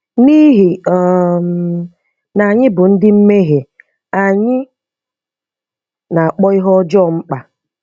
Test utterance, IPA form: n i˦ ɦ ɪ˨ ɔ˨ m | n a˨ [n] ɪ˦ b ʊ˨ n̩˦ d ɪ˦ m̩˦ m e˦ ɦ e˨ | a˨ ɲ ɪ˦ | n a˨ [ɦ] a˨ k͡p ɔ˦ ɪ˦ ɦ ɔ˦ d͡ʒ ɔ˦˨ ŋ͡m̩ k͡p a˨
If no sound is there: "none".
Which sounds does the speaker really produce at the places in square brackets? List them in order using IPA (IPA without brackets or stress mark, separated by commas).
ɲ, none